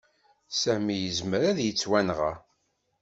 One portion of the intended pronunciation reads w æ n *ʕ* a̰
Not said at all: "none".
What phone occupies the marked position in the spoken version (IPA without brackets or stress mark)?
ʁ